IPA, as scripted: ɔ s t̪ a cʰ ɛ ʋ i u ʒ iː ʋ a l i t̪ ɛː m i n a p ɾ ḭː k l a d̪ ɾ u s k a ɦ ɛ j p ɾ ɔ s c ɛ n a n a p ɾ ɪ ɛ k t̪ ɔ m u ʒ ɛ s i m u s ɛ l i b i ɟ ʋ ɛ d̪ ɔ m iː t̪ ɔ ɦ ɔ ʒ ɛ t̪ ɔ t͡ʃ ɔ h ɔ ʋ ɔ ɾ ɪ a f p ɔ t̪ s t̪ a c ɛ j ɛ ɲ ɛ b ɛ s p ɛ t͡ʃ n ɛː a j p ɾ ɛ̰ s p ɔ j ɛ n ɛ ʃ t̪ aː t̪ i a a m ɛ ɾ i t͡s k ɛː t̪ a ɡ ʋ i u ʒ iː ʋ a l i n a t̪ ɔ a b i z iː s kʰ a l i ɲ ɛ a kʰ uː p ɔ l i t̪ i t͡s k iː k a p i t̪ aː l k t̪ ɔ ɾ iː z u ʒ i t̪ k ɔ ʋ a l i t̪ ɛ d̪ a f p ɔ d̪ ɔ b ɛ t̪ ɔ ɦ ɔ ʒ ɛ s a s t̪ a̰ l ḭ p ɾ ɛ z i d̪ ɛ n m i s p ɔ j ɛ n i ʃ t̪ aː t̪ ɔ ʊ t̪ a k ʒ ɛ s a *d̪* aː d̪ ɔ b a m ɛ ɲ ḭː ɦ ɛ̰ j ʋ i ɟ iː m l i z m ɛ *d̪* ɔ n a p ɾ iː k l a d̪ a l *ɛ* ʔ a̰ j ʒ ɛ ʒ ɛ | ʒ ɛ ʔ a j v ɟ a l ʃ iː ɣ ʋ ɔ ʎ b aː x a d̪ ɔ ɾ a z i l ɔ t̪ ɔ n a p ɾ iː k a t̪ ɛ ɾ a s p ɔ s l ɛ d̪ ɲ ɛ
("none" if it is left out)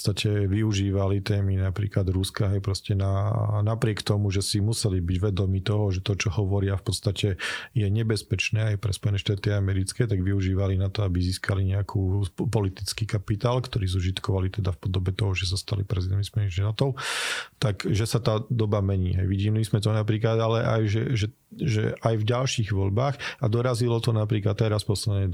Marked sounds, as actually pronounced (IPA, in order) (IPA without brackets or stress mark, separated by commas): t̪, t̪, ɛ